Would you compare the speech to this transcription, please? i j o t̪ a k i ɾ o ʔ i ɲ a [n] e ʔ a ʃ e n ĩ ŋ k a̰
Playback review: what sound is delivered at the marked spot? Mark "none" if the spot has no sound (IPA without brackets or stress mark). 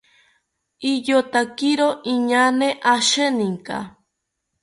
n